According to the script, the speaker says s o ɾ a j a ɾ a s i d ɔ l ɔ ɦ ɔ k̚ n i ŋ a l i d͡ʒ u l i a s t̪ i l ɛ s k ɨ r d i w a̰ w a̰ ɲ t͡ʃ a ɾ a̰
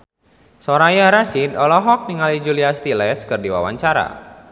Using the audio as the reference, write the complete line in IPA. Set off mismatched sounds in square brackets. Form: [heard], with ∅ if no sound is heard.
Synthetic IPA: s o ɾ a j a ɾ a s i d ɔ l ɔ ɦ ɔ k̚ n i ŋ a l i d͡ʒ u l i a s t̪ i l ɛ s k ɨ r d i w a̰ w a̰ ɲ t͡ʃ a ɾ a̰